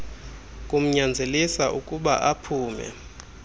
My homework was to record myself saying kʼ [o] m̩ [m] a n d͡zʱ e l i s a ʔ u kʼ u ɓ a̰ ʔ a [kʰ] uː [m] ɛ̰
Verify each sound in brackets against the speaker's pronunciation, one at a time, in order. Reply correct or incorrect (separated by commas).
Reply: incorrect, incorrect, incorrect, correct